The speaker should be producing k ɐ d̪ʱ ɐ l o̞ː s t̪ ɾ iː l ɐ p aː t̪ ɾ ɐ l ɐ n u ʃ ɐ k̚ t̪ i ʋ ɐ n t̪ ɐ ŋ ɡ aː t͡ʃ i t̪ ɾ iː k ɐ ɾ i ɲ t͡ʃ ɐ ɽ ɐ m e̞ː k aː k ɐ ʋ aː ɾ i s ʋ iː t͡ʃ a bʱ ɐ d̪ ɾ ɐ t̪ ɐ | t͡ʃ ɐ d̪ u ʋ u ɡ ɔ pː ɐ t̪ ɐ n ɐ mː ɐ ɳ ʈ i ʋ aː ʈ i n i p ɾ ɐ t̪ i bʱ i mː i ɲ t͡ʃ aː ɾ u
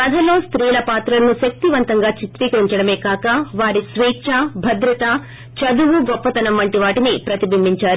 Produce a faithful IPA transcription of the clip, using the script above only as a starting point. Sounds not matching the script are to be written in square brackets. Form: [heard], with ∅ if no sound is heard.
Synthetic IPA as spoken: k ɐ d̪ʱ ɐ l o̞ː s t̪ ɾ iː l ɐ p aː t̪ ɾ ɐ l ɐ n u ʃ ɐ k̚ t̪ i ʋ ɐ n t̪ ɐ ŋ ɡ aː t͡ʃ i t̪ ɾ iː k ɐ ɾ i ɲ t͡ʃ ɐ ɽ ɐ m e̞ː k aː k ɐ ʋ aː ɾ i s ʋ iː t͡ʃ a bʱ ɐ d̪ ɾ ɐ t̪ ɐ | t͡ʃ ɐ d̪ u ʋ u ɡ ɔ pː ɐ t̪ ɐ n ɐ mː ɐ ɳ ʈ i ʋ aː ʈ i n i p ɾ ɐ t̪ i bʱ i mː i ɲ t͡ʃ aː ɾ u